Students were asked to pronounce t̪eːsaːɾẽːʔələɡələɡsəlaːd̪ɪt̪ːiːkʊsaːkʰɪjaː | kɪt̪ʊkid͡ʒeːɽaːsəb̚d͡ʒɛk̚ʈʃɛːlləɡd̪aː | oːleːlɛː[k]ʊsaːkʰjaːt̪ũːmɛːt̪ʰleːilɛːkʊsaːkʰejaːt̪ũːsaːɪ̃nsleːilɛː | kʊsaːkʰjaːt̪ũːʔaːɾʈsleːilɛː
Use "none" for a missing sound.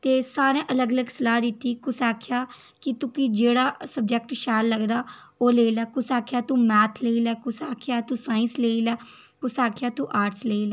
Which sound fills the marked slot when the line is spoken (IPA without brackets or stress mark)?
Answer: k